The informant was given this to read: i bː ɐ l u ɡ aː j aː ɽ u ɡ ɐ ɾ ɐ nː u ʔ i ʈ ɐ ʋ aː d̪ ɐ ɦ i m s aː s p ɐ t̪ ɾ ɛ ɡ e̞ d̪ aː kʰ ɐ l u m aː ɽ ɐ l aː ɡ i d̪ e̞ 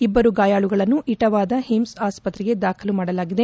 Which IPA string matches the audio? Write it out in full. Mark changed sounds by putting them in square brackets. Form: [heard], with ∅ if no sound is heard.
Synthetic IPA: i bː ɐ [ɾ] u ɡ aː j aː [ɭ] u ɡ ɐ [ɭ] ɐ nː u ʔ i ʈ ɐ ʋ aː d̪ ɐ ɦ i m s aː s p ɐ t̪ ɾ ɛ ɡ e̞ d̪ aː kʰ ɐ l u m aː ɽ ɐ l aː ɡ i d̪ e̞